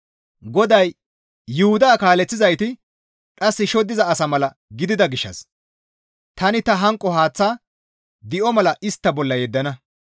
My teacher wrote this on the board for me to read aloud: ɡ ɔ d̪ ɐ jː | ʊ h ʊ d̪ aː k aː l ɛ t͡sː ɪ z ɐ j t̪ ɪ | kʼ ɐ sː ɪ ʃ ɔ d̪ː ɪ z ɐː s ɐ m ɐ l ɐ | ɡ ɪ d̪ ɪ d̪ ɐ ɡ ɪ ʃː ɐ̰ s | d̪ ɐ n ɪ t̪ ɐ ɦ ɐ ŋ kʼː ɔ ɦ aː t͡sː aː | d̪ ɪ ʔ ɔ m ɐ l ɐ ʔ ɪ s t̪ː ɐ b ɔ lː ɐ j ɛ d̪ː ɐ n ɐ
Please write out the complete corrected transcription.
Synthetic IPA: ɡ ɔ d̪ ɐ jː | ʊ h ʊ d̪ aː k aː l ɛ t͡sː ɪ z ɐ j t̪ ɪ | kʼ ɐ sː ɪ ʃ ɔ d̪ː ɪ z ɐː s ɐ m ɐ l ɐ | ɡ ɪ d̪ ɪ d̪ ɐ ɡ ɪ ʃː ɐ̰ s | t̪ ɐ n ɪ t̪ ɐ ɦ ɐ ŋ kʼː ɔ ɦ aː t͡sː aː | d̪ ɪ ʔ ɔ m ɐ l ɐ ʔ ɪ s t̪ː ɐ b ɔ lː ɐ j ɛ d̪ː ɐ n ɐ